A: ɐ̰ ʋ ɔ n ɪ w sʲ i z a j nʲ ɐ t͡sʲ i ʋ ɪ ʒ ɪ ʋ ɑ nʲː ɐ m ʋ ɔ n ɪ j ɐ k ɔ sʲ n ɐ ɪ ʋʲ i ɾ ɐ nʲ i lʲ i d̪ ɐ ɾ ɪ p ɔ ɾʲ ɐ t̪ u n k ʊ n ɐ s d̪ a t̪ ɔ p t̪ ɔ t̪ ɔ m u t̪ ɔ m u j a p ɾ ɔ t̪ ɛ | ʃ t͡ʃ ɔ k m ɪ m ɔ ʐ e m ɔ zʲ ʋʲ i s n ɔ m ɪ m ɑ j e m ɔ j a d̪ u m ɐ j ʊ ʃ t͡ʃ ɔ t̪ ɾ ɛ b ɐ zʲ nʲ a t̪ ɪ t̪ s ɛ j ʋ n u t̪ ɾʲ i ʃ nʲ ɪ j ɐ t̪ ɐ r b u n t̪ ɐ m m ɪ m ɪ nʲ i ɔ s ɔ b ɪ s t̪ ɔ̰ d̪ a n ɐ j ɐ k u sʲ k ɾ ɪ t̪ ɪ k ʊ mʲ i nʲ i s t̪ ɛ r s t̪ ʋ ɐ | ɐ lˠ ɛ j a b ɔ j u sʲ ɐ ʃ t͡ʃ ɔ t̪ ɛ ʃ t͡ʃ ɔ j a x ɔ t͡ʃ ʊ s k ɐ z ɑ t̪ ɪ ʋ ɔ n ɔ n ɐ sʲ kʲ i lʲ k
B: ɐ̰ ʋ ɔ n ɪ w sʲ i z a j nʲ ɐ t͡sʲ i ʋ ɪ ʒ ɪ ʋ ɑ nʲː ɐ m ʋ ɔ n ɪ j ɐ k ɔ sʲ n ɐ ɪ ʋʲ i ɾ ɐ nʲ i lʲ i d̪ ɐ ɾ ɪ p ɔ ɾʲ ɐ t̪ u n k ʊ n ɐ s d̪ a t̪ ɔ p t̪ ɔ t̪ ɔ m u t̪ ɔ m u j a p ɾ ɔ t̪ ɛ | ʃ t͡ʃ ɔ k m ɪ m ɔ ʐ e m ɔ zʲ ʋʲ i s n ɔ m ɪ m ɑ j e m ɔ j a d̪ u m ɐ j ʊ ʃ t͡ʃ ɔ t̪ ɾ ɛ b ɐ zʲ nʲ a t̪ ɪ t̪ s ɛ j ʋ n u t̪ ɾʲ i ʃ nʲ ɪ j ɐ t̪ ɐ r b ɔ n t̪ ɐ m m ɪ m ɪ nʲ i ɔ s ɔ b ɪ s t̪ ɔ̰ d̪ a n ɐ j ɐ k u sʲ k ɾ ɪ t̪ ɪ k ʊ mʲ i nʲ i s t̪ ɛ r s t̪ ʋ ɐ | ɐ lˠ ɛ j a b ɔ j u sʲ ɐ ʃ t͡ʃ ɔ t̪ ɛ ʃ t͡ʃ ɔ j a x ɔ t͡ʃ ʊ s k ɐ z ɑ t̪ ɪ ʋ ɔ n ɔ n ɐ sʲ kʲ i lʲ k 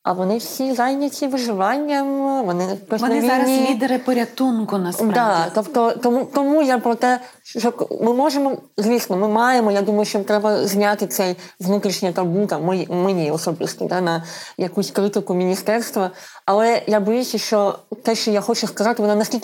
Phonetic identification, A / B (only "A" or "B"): A